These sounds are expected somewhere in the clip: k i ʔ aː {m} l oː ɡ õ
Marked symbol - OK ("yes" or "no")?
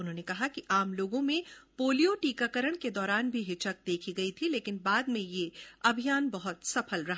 yes